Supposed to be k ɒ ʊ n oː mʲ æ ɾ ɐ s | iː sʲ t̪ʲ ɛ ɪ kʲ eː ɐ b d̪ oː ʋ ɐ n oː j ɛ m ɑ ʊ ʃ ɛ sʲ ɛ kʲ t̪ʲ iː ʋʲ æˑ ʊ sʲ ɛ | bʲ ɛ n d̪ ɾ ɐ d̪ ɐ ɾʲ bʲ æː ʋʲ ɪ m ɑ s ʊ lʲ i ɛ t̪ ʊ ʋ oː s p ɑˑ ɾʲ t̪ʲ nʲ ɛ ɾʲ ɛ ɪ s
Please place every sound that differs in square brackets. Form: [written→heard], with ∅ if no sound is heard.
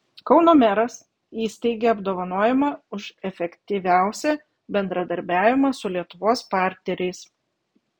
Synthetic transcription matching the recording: k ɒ ʊ n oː mʲ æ ɾ ɐ s | iː sʲ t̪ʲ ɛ ɪ [kʲ→ɡʲ] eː ɐ b d̪ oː ʋ ɐ n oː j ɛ m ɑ ʊ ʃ ɛ [sʲ→fʲ] ɛ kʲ t̪ʲ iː ʋʲ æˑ ʊ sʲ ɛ | bʲ ɛ n d̪ ɾ ɐ d̪ ɐ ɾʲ bʲ æː ʋʲ ɪ m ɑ s ʊ lʲ i ɛ t̪ ʊ ʋ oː s p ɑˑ ɾʲ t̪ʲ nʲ ɛ ɾʲ ɛ ɪ s